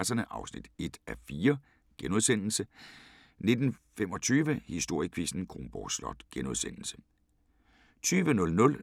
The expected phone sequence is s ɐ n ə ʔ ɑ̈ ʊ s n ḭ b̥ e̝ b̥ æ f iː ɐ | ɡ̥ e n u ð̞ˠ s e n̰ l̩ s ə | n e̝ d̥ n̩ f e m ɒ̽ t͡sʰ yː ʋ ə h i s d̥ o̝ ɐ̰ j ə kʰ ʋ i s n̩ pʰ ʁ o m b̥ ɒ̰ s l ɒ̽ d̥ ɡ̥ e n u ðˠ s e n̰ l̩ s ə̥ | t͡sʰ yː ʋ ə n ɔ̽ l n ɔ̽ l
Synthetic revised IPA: s ɐ n ə ʔ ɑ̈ ʊ s n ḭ d̥ e̝ d̥ æ f iː ɐ | ɡ̥ e n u ð̞ˠ s e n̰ l̩ s ə | n e̝ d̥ n̩ f e m ɒ̽ t͡sʰ yː ʋ ə h i s d̥ o̝ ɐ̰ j ə kʰ ʋ i s n̩ kʰ ʁ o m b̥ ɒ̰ s l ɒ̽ d̥ ɡ̥ e n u ðˠ s e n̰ l̩ s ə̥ | t͡sʰ yː ʋ ə n ɔ̽ l n ɔ̽ l